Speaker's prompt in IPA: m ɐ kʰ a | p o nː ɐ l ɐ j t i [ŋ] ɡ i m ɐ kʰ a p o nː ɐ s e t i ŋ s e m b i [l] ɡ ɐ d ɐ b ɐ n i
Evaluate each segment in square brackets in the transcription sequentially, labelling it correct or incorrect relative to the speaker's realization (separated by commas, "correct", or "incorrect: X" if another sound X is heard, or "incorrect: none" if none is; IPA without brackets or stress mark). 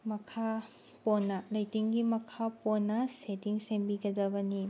correct, incorrect: none